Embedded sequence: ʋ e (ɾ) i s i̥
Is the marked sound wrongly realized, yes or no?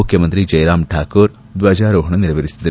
no